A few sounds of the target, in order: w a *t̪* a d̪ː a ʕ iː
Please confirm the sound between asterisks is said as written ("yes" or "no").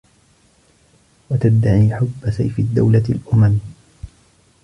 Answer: yes